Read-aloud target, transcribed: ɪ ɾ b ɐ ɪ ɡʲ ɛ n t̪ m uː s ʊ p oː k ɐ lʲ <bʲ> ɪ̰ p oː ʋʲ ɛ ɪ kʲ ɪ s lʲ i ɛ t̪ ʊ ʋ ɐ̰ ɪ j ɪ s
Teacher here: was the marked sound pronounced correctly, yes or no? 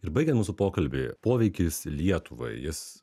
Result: yes